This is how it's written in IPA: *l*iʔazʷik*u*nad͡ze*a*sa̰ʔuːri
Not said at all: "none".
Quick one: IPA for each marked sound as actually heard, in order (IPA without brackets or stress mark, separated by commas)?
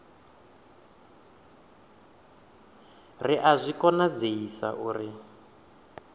r, ɔ, i